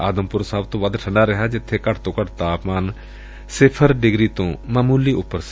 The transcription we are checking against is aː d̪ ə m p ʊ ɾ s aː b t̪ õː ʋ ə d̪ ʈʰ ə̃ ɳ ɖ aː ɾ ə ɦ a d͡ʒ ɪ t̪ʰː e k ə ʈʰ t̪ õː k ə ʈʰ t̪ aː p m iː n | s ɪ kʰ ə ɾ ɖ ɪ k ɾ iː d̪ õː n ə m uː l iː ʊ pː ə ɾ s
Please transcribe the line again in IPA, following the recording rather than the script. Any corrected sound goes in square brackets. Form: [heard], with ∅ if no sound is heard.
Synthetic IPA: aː d̪ ə m p ʊ ɾ s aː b t̪ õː ʋ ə d̪ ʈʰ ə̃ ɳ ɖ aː ɾ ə ɦ a d͡ʒ ɪ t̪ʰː e k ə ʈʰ t̪ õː k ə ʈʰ t̪ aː p m [aː] n | s ɪ [pʰ] ə ɾ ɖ ɪ [ɡ] ɾ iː [t̪] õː [m] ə m uː l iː ʊ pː ə ɾ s